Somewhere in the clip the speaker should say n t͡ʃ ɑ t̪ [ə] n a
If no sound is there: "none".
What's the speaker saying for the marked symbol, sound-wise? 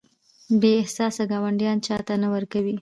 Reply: a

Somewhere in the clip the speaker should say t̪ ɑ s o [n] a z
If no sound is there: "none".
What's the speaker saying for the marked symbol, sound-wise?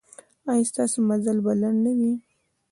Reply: m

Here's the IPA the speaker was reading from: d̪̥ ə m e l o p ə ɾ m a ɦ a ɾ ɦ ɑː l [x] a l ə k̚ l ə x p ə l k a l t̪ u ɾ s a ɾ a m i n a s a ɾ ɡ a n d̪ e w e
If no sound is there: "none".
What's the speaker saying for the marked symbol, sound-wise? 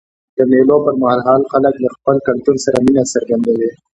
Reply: x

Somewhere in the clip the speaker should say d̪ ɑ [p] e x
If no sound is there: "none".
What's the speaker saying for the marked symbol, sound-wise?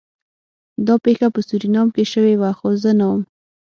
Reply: p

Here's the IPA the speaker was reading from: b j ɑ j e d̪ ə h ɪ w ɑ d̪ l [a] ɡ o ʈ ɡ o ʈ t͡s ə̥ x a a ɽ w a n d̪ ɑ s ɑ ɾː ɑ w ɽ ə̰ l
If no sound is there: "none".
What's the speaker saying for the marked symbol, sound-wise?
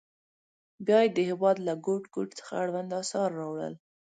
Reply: a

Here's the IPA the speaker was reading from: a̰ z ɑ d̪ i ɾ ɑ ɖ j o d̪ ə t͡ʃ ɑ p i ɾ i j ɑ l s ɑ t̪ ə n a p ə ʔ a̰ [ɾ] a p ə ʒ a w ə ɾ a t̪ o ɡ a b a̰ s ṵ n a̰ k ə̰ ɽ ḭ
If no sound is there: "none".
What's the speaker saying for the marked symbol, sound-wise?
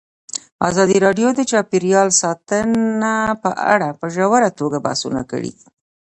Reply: ɽ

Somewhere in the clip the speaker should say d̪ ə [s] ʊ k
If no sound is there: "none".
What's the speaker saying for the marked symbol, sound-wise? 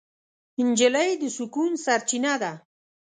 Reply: s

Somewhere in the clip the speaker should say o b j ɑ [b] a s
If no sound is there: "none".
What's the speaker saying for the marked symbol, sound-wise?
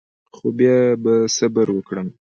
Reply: b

